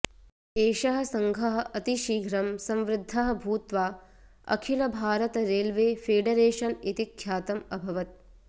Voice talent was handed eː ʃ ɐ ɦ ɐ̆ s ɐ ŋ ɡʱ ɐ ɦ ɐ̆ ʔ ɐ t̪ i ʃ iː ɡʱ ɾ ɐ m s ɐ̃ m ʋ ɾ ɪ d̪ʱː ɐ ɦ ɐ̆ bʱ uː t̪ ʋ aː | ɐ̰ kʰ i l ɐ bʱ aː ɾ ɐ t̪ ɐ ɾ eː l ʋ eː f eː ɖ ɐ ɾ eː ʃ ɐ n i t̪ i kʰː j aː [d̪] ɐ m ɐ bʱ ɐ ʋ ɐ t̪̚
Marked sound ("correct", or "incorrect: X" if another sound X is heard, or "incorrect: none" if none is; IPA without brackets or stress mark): incorrect: t̪